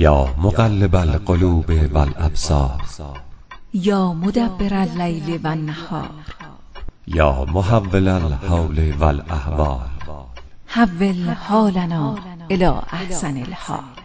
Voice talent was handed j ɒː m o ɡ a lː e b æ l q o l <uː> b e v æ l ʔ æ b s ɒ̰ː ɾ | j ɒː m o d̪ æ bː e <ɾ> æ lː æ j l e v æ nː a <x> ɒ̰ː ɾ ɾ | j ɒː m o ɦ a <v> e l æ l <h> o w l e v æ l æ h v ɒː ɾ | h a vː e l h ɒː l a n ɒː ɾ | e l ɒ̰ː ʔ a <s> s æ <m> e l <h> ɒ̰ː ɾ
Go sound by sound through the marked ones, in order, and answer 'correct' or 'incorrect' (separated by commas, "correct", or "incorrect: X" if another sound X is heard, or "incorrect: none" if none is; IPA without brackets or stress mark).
correct, correct, incorrect: h, incorrect: vː, correct, incorrect: h, incorrect: n, correct